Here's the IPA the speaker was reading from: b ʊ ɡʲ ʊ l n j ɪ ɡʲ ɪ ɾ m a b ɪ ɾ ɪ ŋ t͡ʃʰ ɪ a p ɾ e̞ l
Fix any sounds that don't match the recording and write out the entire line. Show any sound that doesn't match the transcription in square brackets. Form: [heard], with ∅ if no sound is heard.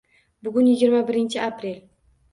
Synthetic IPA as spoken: b ʊ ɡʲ ʊ [∅] n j ɪ ɡʲ ɪ ɾ m a b ɪ ɾ ɪ [n] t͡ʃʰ ɪ a p ɾ e̞ l